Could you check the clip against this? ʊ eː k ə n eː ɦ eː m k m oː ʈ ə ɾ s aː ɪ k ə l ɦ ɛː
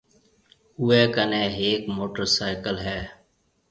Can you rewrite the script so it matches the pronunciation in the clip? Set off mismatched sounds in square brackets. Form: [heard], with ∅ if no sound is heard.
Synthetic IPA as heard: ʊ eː k ə n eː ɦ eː [∅] k m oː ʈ ə ɾ s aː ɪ k ə l ɦ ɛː